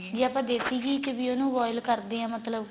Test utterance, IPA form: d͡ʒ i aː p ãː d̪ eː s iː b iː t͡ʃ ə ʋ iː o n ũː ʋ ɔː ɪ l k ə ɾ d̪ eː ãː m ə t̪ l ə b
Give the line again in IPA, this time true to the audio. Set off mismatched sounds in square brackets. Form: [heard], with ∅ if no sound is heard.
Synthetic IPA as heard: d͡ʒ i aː p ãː d̪ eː s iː [ɡ] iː t͡ʃ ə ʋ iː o n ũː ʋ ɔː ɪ l k ə ɾ d̪ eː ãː m ə t̪ l ə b